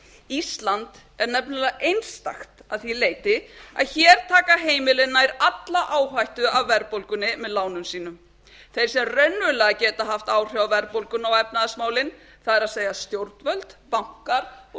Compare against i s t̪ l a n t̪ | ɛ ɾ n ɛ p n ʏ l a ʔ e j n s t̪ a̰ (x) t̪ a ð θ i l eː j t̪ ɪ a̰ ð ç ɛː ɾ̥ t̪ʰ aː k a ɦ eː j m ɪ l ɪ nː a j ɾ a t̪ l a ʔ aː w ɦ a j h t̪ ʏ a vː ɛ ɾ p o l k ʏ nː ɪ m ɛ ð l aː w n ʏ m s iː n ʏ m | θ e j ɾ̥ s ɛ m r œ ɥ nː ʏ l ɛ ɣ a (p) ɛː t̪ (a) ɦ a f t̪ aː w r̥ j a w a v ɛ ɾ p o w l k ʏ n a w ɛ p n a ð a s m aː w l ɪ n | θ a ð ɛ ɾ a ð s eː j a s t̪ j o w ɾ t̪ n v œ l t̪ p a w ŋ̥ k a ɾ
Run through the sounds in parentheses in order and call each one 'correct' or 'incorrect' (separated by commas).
correct, incorrect, correct